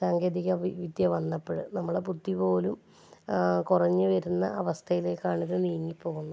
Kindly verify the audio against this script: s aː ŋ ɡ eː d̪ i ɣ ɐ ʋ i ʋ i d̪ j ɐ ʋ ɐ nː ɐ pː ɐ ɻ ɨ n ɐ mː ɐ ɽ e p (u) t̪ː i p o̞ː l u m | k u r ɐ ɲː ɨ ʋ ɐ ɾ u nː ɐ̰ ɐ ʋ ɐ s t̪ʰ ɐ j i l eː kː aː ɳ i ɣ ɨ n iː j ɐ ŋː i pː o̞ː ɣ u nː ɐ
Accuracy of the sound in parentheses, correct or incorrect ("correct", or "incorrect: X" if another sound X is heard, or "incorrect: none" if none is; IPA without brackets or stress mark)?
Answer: correct